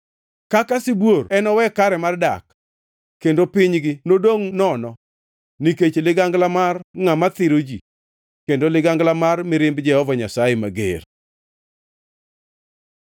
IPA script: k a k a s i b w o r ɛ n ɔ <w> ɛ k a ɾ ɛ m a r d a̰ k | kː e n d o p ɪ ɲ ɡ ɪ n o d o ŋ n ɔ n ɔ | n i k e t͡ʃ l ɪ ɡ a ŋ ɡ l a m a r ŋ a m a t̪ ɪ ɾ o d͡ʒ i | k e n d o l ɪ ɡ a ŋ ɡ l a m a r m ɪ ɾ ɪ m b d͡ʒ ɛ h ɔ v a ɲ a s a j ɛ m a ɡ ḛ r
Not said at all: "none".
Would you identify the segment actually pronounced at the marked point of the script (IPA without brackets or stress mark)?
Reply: w